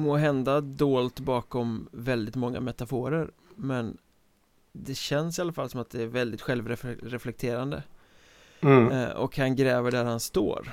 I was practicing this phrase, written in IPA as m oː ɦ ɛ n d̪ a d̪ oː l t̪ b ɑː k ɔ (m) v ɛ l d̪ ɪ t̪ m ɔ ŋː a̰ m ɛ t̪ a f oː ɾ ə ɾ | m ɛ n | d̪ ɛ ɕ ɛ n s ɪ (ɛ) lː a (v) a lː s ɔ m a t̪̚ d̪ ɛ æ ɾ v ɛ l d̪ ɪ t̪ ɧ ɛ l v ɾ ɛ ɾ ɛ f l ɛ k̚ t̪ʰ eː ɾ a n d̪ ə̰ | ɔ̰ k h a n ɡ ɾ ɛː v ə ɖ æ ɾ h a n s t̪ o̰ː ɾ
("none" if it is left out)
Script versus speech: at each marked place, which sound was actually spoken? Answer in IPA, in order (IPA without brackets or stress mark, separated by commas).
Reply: m, a, f